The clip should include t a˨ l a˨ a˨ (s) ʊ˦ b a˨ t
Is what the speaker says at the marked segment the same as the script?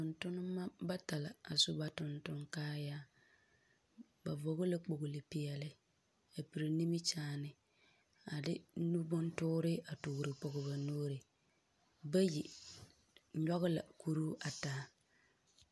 yes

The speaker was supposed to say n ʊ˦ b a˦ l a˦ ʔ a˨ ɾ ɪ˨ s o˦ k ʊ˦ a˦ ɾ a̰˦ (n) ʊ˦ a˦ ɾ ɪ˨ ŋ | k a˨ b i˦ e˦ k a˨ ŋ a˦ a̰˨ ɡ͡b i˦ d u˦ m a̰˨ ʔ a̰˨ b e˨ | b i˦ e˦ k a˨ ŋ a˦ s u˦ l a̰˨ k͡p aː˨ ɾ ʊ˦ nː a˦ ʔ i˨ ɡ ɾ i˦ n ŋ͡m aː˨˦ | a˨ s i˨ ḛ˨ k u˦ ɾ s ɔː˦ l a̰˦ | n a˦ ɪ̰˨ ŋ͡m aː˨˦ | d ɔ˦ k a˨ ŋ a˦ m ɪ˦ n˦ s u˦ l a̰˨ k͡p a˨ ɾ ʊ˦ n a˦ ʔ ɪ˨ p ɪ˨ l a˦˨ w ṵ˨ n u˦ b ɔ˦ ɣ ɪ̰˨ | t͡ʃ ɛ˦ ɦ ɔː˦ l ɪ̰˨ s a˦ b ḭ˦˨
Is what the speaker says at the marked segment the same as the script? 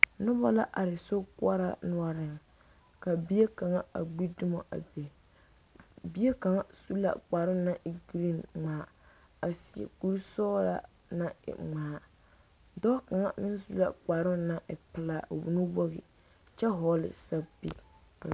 yes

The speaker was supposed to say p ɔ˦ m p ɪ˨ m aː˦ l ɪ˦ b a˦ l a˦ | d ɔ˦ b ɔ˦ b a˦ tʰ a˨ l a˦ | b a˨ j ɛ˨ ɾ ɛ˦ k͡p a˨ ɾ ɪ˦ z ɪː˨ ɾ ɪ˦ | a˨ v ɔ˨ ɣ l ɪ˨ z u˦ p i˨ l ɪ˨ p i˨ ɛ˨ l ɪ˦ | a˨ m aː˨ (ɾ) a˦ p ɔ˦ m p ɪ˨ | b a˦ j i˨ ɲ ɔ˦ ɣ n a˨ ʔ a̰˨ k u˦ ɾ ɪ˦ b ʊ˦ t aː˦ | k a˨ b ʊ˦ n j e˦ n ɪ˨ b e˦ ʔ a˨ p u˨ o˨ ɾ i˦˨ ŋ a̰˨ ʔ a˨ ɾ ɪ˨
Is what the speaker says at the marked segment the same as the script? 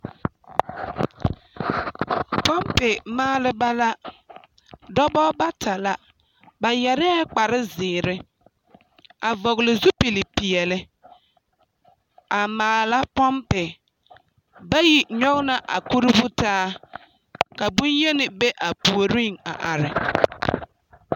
no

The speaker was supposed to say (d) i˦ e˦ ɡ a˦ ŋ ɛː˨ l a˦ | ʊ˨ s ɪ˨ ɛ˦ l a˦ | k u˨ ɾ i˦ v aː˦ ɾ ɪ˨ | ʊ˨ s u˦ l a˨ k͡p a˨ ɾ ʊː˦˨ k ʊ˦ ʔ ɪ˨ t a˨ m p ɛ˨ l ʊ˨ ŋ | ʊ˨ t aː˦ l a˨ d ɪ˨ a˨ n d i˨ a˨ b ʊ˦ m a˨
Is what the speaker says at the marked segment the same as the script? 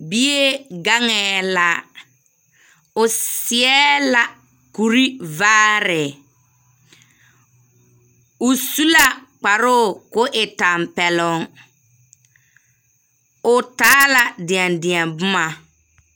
no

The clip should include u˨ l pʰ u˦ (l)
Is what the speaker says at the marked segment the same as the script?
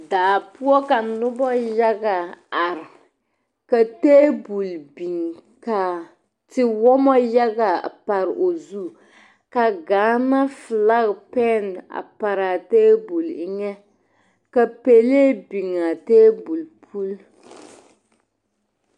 yes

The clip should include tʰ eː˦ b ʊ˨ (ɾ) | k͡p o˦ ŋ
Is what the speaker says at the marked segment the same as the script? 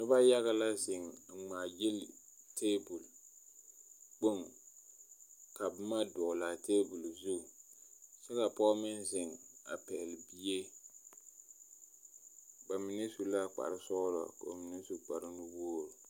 no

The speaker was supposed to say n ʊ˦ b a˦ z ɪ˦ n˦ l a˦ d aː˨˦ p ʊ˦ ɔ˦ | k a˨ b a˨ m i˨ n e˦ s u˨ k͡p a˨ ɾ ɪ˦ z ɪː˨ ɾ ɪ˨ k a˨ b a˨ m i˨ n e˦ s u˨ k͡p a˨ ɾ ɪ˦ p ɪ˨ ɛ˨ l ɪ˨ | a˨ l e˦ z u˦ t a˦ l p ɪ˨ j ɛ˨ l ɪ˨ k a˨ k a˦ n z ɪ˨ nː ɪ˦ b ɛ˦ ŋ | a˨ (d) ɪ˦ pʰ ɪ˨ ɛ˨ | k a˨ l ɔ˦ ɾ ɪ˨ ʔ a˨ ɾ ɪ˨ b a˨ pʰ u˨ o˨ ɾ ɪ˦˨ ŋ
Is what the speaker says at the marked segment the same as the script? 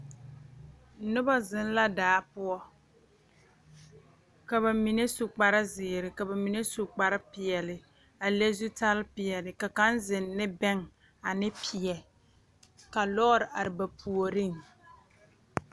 no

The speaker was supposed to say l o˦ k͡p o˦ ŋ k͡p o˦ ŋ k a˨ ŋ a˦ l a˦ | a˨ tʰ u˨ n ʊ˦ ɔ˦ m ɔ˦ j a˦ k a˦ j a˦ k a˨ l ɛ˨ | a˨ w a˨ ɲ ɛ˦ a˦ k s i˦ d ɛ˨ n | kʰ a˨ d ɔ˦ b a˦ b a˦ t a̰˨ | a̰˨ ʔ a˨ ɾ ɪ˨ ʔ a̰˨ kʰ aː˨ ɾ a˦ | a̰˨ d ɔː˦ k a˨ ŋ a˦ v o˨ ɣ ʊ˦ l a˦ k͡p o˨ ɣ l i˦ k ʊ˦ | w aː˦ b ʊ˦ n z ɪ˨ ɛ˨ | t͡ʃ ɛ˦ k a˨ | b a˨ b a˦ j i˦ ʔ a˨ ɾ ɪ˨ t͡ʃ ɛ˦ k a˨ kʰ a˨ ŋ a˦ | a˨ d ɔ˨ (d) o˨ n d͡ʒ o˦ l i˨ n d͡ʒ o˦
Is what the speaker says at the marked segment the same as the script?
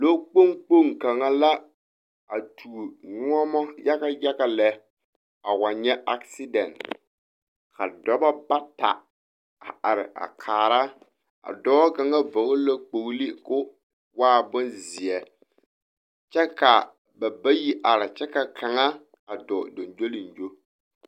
yes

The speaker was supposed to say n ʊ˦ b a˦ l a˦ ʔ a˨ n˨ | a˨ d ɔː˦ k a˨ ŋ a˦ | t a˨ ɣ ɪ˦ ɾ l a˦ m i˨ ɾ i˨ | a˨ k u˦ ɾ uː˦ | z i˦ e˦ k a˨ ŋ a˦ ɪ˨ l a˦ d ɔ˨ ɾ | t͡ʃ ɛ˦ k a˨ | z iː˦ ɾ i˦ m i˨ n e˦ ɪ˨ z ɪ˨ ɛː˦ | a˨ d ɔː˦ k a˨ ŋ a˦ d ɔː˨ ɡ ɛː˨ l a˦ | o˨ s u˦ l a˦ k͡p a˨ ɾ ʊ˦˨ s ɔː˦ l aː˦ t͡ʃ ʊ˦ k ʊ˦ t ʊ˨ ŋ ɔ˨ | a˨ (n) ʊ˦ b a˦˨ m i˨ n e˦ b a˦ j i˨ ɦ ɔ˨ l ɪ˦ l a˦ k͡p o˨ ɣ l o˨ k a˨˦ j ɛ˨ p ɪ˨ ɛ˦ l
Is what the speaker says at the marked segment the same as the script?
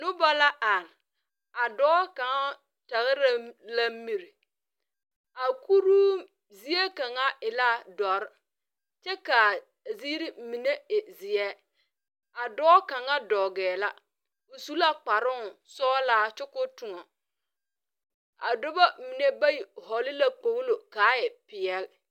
no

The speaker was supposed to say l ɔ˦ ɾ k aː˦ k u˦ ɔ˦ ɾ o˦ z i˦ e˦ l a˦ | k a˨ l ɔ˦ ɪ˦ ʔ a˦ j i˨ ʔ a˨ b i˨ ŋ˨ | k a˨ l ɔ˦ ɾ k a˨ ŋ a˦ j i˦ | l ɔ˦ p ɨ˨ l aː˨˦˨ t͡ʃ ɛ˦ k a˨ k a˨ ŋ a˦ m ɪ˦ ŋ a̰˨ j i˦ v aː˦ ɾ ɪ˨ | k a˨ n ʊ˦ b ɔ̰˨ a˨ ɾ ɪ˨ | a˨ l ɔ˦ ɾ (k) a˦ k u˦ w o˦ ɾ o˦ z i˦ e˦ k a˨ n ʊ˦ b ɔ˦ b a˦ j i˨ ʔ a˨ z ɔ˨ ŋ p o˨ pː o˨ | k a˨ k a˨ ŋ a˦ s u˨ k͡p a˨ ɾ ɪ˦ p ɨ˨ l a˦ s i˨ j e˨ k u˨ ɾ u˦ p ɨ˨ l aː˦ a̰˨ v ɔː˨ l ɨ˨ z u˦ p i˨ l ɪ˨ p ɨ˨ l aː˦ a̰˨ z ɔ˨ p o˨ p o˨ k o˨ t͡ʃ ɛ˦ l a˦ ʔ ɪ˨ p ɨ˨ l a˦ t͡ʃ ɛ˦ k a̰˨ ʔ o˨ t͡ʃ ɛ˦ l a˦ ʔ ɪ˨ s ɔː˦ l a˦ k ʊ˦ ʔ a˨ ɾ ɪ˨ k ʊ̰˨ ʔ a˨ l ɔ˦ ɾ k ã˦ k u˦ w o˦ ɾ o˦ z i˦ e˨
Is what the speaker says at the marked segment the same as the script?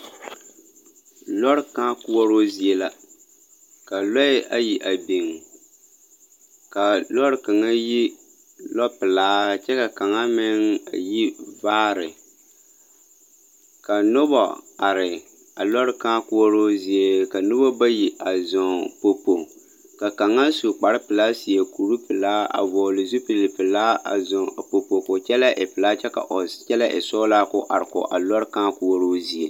yes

